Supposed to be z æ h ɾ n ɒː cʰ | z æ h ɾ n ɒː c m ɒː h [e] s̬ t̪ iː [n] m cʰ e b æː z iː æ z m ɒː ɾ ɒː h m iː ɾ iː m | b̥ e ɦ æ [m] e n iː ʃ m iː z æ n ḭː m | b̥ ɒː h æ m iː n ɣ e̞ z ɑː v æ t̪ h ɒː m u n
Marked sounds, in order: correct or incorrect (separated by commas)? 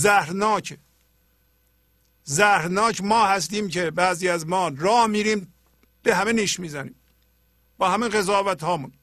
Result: incorrect, incorrect, correct